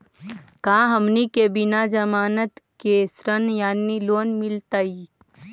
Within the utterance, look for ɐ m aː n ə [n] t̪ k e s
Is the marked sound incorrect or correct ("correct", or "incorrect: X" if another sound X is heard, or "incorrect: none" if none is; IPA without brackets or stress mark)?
incorrect: none